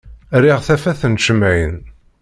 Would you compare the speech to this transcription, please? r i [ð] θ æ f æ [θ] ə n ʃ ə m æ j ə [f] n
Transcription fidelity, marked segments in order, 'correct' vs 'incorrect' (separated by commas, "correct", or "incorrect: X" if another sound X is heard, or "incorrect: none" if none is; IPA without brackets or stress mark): incorrect: ʁ, correct, incorrect: none